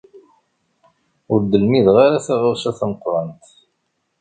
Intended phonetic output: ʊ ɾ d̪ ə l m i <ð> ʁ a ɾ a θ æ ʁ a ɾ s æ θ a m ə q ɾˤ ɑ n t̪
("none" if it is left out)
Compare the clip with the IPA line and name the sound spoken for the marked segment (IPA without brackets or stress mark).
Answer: ð